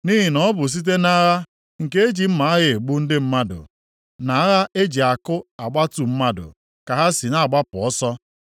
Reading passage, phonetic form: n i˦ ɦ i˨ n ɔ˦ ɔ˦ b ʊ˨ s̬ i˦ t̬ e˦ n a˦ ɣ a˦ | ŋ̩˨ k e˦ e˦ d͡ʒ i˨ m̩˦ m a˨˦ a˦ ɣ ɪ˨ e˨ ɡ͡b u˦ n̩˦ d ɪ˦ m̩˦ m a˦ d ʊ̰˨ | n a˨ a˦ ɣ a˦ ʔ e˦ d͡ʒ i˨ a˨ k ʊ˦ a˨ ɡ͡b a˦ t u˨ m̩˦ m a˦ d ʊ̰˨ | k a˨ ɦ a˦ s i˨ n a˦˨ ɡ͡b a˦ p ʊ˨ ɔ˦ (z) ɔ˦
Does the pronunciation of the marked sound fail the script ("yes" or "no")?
yes